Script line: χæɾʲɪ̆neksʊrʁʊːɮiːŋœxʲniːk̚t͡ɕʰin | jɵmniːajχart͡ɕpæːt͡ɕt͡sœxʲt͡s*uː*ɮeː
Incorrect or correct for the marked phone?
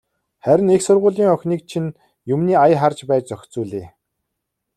correct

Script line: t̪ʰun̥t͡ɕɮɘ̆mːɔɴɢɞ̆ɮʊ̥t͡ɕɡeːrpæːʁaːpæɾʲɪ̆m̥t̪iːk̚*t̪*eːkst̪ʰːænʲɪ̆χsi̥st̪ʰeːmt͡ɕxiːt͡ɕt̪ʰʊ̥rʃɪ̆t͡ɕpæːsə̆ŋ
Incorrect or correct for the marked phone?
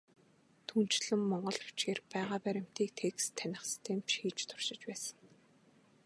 incorrect: t̪ʰ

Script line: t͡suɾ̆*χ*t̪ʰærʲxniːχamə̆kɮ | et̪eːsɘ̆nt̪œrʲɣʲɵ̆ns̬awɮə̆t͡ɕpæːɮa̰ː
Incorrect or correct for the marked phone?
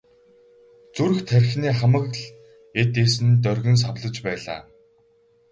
incorrect: x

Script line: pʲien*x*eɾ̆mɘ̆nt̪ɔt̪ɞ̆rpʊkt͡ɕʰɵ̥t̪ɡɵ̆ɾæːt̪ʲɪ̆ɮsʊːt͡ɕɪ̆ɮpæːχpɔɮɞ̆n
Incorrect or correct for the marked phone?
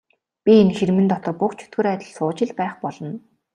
correct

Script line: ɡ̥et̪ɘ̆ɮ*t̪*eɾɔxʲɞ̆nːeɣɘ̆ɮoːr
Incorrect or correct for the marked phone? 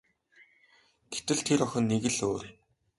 incorrect: t̪ʰ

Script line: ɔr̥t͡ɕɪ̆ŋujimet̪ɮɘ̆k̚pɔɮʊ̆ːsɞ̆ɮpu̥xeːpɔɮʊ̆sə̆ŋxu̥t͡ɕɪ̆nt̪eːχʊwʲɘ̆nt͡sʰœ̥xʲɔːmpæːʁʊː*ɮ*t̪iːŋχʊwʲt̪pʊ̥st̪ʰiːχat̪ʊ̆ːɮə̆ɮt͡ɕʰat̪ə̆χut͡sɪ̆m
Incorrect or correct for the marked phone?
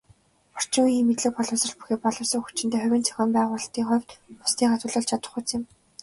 correct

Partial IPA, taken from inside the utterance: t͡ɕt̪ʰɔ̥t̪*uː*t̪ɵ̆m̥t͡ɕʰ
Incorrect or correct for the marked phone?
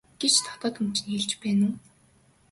incorrect: ɔː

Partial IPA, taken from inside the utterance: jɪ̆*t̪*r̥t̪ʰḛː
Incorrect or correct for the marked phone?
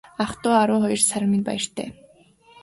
incorrect: none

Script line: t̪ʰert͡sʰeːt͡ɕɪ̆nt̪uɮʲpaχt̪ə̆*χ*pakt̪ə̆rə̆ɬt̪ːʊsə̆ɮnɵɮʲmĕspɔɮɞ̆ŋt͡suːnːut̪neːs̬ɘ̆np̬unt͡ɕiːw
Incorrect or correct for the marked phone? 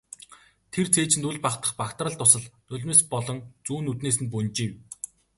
correct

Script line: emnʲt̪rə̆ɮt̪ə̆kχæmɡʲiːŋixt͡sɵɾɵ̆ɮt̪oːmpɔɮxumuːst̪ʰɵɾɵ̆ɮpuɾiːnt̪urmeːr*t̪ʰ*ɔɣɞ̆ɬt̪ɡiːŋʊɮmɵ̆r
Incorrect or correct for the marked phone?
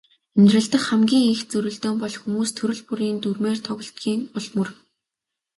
correct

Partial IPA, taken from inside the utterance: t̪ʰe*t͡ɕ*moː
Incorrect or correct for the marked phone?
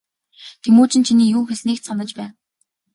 incorrect: none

